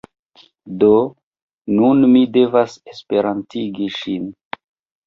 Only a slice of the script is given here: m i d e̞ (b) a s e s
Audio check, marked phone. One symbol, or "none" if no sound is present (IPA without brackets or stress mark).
v